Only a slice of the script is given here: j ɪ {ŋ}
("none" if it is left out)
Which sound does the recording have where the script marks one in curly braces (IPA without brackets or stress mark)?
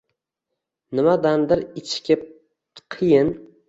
n